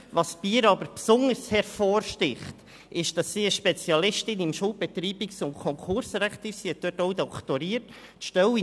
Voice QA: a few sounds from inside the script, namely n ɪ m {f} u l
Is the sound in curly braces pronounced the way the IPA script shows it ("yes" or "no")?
no